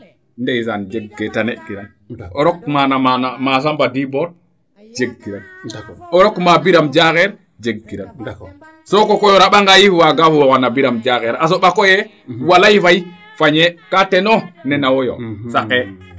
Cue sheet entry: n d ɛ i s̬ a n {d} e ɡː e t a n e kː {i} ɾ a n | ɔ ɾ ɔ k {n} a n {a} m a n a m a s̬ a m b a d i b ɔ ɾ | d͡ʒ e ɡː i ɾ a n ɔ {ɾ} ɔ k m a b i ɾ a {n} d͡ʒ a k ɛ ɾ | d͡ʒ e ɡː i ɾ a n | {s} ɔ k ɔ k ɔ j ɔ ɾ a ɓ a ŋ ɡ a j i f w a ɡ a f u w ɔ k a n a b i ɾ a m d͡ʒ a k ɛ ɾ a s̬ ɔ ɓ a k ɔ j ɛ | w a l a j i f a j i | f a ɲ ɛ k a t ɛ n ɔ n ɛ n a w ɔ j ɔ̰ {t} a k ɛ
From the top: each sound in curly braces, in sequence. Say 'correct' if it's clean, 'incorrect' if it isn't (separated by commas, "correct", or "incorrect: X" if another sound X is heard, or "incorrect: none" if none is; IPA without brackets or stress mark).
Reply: incorrect: d͡ʒ, correct, incorrect: m, correct, correct, incorrect: m, correct, incorrect: s